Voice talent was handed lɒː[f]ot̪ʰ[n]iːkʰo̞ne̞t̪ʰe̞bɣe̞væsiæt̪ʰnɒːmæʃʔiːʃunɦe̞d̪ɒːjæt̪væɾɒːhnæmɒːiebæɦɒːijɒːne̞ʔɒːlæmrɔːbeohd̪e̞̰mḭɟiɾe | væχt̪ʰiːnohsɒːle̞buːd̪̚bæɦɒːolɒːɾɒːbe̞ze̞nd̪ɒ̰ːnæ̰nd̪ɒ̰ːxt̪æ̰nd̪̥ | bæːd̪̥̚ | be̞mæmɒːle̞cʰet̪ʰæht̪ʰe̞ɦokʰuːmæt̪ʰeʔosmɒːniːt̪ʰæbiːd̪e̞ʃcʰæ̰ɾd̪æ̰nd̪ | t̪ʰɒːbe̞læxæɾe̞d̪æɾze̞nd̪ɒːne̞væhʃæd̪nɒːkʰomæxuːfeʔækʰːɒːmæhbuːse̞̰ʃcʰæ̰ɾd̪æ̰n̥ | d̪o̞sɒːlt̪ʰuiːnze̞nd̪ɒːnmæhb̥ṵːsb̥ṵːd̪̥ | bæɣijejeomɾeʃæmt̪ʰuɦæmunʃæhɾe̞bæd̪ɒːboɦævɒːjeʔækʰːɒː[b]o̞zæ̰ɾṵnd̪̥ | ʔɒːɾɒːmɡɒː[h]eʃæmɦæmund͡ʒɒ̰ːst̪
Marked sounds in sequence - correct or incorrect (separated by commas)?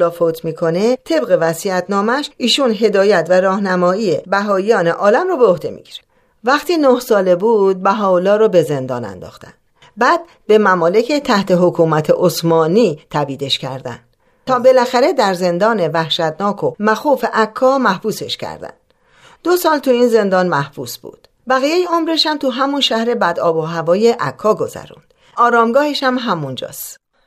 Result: correct, incorrect, incorrect, correct